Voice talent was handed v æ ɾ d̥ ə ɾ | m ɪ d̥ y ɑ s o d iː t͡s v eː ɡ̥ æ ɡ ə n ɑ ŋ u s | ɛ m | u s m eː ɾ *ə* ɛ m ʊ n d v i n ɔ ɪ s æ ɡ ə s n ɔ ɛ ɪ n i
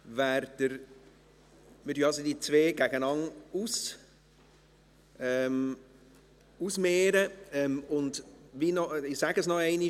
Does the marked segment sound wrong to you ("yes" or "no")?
no